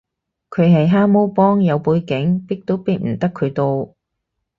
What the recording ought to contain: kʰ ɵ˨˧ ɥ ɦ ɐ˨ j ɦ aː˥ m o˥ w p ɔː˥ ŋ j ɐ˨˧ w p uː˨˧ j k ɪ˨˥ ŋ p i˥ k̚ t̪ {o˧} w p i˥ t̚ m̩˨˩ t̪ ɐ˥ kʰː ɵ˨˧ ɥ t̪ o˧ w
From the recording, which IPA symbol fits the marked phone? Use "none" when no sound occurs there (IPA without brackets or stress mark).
o˥